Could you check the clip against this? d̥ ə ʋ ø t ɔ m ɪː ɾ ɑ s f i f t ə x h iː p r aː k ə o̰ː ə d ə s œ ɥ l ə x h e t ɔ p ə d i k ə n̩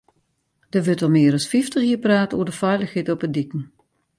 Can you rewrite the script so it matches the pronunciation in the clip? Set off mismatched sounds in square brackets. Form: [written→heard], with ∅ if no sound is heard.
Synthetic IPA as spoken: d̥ ə ʋ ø t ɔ m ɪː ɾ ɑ s f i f t ə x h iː p r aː [k→t] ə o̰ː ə d ə [s→f] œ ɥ l ə x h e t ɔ p ə d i k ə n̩